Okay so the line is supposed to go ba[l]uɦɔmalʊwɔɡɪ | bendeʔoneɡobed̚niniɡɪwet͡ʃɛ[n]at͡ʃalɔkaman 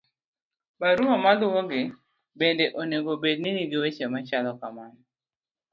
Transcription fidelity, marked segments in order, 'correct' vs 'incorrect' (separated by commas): incorrect, incorrect